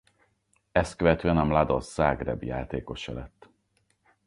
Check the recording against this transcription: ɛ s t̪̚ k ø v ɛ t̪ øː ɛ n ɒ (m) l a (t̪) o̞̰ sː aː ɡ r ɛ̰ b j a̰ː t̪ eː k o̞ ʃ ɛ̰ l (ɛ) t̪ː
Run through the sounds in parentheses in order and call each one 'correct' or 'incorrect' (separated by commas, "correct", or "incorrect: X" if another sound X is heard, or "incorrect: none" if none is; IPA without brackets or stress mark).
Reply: correct, incorrect: d̪, correct